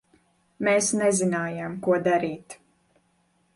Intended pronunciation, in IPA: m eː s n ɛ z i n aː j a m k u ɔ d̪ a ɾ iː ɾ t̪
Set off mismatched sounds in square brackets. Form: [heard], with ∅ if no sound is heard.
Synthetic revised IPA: m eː s n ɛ z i n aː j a m k u ɔ d̪ a ɾ iː [∅] t̪